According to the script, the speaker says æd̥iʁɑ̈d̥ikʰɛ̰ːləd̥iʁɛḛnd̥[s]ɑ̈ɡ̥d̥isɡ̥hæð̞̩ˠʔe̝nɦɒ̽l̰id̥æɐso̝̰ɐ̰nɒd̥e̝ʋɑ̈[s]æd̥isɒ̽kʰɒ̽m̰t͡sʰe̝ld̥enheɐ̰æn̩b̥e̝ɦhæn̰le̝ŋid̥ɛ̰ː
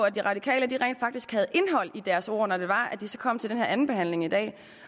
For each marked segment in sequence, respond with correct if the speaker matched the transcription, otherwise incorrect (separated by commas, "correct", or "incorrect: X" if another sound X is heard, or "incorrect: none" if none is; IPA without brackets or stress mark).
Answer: incorrect: f, incorrect: none